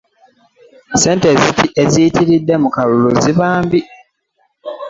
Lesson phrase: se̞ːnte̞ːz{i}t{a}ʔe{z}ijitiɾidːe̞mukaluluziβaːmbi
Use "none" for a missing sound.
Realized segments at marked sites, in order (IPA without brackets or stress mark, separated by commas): i, i, z